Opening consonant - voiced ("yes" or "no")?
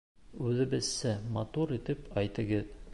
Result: yes